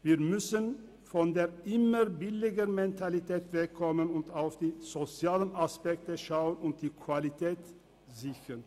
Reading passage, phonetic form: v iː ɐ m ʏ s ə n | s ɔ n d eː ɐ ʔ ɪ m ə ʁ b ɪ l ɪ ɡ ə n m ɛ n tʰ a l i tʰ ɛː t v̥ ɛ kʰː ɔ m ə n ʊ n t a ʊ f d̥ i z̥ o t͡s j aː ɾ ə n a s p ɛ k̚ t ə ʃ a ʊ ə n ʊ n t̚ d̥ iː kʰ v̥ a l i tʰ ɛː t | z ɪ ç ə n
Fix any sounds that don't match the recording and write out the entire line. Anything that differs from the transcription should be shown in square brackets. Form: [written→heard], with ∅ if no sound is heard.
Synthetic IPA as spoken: v iː ɐ m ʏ s ə n | [s→f] ɔ n d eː ɐ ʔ ɪ m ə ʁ b ɪ l ɪ ɡ ə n m ɛ n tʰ a l i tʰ ɛː t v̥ ɛ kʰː ɔ m ə n ʊ n t a ʊ f d̥ [i→iː] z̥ o t͡s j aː [ɾ→l] ə n a s p ɛ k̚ t ə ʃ a ʊ ə n ʊ n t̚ d̥ iː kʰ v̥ a l i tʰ ɛː t | z ɪ ç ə n